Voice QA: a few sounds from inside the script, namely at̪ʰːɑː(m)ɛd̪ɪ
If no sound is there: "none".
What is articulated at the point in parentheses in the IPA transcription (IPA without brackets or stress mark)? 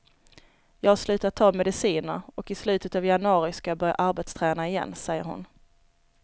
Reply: m